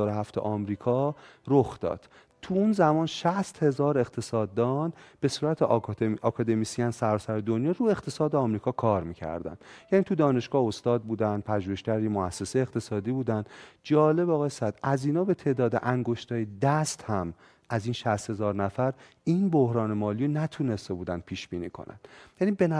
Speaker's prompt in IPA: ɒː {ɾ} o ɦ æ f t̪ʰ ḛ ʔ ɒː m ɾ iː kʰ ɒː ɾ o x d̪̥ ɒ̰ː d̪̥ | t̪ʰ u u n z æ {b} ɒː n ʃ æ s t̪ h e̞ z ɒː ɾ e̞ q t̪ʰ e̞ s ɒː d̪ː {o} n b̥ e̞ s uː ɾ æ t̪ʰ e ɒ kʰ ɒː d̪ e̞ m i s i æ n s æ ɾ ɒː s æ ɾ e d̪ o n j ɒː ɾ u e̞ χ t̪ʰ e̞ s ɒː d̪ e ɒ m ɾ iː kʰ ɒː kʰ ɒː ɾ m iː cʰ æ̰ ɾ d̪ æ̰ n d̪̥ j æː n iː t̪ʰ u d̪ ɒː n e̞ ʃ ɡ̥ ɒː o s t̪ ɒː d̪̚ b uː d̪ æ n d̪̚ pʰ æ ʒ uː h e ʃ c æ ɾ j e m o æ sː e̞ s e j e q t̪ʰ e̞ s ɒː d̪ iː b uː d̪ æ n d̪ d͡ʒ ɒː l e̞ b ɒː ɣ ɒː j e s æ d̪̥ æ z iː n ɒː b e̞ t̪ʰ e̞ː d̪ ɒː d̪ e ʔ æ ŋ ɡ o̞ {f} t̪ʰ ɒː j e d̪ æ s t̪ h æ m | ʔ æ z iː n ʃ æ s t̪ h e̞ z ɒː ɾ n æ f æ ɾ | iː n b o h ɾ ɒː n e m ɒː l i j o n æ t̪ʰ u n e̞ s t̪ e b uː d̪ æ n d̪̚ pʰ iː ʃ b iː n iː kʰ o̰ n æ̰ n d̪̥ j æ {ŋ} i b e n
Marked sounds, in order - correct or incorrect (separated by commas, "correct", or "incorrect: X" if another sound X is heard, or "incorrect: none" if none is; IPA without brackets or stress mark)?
correct, incorrect: m, incorrect: ɒ, incorrect: ʃ, incorrect: n